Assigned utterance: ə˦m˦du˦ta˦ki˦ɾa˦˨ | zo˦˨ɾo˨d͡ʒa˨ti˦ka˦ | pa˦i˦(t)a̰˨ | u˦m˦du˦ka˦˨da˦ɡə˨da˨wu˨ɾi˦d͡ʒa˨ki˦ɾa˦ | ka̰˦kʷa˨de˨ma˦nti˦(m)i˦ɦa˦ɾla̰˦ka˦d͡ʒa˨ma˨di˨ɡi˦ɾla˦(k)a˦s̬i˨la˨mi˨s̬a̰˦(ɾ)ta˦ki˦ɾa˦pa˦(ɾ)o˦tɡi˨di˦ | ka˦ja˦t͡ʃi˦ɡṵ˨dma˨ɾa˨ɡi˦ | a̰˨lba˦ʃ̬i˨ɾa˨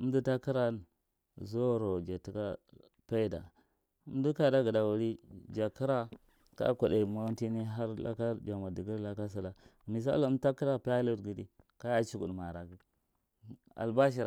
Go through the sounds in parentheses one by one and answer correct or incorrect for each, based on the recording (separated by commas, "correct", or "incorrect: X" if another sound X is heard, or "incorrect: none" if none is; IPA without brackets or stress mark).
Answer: incorrect: d, incorrect: n, correct, incorrect: l, incorrect: l